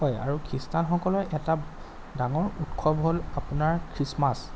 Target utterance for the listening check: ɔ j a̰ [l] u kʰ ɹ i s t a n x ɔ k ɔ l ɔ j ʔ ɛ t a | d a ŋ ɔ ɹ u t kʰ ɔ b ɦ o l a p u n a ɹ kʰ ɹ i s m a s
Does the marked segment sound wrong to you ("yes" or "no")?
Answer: yes